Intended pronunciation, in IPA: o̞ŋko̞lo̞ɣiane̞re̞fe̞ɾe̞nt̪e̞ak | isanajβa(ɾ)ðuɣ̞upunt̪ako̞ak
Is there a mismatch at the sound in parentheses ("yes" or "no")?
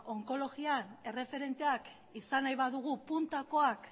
yes